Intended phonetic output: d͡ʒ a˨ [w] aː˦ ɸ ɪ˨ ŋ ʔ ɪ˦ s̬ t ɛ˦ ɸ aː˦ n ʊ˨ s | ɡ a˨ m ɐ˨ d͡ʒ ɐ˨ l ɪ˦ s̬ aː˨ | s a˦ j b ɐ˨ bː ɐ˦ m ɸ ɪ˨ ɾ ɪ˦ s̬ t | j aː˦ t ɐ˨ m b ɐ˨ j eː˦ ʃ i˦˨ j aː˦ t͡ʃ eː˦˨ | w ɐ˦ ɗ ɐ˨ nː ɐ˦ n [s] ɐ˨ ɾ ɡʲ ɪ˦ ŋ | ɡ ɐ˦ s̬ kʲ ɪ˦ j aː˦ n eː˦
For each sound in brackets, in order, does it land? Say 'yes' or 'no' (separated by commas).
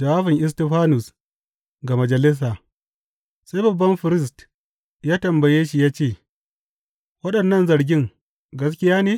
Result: yes, no